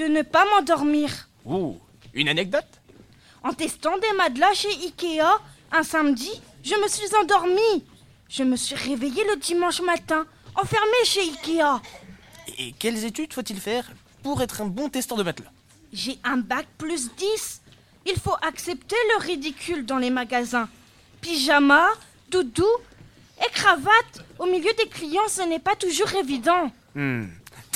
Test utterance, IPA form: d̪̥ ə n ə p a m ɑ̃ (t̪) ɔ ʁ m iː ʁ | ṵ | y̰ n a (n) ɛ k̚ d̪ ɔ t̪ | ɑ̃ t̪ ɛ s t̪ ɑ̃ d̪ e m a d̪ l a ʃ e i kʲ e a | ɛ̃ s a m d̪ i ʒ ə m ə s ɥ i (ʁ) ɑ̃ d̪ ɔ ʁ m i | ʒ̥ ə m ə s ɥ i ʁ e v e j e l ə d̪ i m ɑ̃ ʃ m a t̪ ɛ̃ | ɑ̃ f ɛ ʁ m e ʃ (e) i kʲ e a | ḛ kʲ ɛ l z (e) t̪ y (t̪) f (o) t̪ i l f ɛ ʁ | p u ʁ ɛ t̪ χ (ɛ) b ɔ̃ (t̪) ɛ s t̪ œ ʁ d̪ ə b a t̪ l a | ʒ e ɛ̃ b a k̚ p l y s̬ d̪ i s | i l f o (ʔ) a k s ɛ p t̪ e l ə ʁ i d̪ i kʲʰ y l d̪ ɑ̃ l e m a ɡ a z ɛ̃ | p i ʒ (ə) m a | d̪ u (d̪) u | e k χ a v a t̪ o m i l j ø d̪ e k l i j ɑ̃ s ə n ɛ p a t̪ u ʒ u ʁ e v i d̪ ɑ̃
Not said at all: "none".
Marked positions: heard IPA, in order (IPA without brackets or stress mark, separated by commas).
d̪, n, z, e, e, d̪, o, ɛ̃, t̪, ʔ, a, d̪